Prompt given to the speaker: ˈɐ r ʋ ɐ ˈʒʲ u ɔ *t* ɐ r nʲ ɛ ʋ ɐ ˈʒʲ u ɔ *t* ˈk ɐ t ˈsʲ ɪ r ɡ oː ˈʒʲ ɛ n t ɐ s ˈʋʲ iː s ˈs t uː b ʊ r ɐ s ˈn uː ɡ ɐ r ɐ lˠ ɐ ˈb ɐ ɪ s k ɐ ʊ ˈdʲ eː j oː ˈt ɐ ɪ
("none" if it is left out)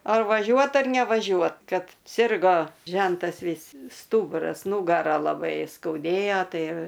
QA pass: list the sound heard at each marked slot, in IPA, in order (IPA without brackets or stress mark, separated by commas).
t, t